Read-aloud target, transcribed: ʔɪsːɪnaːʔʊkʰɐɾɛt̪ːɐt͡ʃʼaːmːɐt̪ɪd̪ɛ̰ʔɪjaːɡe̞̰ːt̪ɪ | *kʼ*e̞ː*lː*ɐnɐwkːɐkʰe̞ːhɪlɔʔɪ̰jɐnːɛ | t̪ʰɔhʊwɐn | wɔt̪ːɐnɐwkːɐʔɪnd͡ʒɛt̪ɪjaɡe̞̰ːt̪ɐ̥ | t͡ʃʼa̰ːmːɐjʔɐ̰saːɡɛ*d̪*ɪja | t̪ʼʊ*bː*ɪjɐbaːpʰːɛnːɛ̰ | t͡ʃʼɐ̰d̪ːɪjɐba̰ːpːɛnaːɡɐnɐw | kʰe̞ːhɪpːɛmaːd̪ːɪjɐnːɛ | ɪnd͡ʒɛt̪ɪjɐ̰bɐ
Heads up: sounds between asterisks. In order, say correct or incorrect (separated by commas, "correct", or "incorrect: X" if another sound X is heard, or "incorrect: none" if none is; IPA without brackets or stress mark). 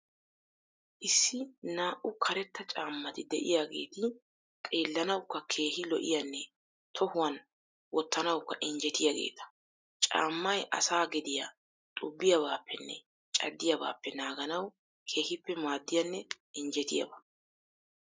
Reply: correct, correct, correct, correct